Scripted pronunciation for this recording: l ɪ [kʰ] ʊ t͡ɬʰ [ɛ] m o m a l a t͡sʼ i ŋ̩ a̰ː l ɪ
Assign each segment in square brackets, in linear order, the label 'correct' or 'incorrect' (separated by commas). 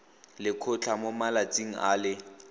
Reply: correct, incorrect